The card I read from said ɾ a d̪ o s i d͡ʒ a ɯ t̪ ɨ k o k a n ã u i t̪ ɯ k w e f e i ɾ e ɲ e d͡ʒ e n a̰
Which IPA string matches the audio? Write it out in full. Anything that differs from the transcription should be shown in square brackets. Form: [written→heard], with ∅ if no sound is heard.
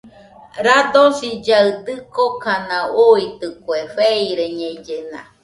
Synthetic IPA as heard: ɾ a d̪ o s i d͡ʒ a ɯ [t̪→d̪] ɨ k o k a n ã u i t̪ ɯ k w e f e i ɾ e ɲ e d͡ʒ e n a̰